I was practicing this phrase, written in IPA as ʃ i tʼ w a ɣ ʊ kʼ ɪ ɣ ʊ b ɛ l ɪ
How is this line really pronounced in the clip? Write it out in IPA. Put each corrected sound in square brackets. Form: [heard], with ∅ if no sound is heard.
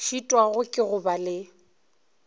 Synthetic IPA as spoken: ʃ i tʼ w a ɣ ʊ kʼ ɪ ɣ ʊ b [a] l ɪ